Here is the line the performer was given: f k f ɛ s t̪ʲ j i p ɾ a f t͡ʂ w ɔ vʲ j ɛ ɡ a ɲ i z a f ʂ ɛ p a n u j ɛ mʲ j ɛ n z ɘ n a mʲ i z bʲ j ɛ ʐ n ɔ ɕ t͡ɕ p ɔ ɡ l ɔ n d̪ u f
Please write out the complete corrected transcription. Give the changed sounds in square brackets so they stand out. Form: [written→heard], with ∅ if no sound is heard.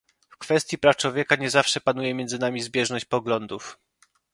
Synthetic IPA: f k f ɛ s t̪ʲ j i p ɾ a f t͡ʂ w ɔ vʲ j ɛ [ɡ→k] a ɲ [i→ɛ] z a f ʂ ɛ p a n u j ɛ mʲ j ɛ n z ɘ n a mʲ i z bʲ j ɛ ʐ n ɔ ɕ t͡ɕ p ɔ ɡ l ɔ n d̪ u f

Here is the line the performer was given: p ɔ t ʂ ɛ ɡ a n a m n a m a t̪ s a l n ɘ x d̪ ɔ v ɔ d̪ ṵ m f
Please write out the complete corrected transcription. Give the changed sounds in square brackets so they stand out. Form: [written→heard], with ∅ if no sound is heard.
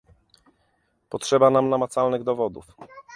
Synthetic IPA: p ɔ t ʂ ɛ [ɡ→b] a n a m n a m a t̪ s a l n ɘ [x→ɣ] d̪ ɔ v ɔ d̪ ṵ [m→∅] f

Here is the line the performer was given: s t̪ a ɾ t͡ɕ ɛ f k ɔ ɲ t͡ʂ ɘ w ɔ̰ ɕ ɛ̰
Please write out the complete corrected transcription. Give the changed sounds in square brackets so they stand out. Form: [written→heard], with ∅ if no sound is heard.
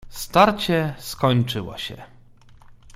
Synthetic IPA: s t̪ a ɾ t͡ɕ ɛ [f→s] k ɔ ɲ t͡ʂ ɘ w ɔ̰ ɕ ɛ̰

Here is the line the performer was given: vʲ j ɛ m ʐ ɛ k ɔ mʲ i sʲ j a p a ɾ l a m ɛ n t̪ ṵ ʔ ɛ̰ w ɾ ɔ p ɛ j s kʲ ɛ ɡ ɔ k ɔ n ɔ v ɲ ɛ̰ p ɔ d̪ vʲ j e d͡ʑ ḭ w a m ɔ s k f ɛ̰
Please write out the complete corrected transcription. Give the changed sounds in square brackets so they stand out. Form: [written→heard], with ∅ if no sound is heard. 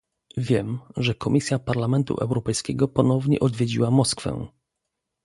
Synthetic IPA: vʲ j ɛ m ʐ ɛ k ɔ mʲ i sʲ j a p a ɾ l a m ɛ n t̪ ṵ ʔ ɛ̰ w ɾ ɔ p ɛ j s kʲ ɛ ɡ ɔ [k→p] ɔ n ɔ v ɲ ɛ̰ [p→ʔ] ɔ d̪ vʲ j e d͡ʑ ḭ w a m ɔ s k f ɛ̰

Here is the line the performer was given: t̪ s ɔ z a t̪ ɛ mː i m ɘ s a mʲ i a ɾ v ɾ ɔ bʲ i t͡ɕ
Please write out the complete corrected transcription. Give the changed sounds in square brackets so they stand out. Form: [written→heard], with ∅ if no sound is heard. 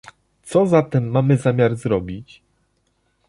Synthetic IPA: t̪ s ɔ z a t̪ ɛ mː [i→a] m ɘ [s→z] a mʲ [i→j] a ɾ [v→z] ɾ ɔ bʲ i t͡ɕ

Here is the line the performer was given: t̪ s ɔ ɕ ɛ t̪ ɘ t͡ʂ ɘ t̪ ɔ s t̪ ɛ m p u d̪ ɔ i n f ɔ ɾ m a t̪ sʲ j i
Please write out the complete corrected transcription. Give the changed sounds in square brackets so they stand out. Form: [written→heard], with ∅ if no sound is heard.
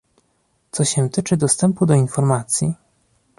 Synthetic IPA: t̪ s ɔ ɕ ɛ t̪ ɘ t͡ʂ ɘ [t̪→d̪] ɔ s t̪ ɛ m p u d̪ ɔ i n f ɔ ɾ m a t̪ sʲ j i

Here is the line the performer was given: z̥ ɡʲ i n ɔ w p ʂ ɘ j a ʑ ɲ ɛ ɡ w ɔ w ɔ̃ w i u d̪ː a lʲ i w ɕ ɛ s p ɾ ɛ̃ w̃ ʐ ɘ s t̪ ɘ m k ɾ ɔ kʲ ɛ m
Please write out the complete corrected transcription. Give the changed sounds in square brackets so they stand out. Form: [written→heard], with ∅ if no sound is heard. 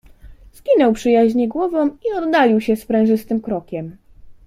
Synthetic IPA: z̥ ɡʲ i n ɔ w p ʂ ɘ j a ʑ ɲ ɛ ɡ w ɔ [w→v] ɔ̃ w i [u→ɔ] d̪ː a lʲ i w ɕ ɛ s p ɾ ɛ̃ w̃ ʐ ɘ s t̪ ɘ m k ɾ ɔ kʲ ɛ m

